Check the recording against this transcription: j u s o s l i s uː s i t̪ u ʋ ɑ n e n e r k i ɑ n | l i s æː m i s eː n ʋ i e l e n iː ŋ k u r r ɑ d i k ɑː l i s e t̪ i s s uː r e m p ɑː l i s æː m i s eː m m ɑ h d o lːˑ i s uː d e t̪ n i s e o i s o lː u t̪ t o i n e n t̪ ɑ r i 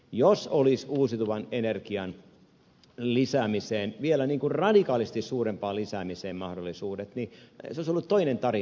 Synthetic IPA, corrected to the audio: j o s o l i s uː s i t̪ u ʋ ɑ n e n e r k i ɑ n | l i s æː m i s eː n ʋ i e l æ n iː ŋ k u r r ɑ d i k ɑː l i s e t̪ i s s uː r e m p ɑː l i s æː m i s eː m m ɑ h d o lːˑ i s uː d e t̪ n i s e o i s o lː u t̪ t o i n e n t̪ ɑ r i